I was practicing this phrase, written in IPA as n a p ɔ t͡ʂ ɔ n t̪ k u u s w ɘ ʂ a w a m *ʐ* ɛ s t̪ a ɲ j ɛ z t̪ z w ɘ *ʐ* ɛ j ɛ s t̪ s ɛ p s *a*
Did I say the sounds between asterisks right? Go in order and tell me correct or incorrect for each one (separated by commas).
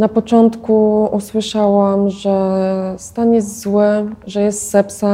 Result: correct, correct, correct